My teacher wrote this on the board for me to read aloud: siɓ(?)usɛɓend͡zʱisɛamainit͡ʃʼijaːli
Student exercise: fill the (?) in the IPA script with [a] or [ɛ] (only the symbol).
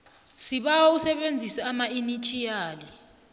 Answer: a